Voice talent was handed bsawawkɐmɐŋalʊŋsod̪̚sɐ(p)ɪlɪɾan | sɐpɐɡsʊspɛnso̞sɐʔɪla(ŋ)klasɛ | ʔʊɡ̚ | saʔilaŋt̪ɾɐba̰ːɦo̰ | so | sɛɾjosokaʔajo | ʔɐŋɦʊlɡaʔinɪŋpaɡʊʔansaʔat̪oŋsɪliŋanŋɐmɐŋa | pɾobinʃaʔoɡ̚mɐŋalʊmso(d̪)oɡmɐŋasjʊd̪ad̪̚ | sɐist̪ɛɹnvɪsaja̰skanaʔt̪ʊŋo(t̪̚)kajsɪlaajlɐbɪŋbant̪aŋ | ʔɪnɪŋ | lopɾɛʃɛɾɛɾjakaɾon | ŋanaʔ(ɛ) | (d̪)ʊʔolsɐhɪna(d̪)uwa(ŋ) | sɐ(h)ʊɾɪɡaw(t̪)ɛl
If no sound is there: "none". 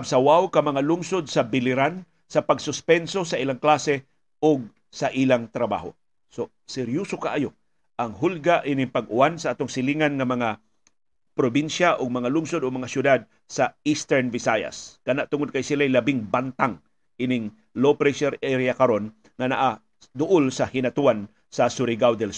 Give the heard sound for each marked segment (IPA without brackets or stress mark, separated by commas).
b, ŋ, d̪, d̪̚, a, d̪, t̪, n, s, d̪